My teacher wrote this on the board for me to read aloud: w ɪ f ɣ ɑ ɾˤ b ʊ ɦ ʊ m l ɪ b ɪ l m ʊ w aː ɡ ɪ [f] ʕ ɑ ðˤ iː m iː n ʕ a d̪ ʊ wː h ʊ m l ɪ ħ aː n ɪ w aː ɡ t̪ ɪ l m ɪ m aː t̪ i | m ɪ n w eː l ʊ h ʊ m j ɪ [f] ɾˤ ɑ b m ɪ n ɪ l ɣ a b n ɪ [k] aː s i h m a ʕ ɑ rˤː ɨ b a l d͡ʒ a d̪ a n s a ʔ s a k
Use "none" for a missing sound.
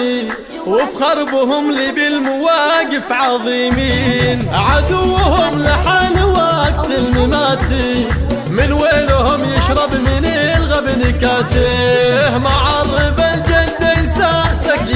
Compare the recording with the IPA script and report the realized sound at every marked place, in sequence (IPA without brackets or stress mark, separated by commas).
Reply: f, ʃ, k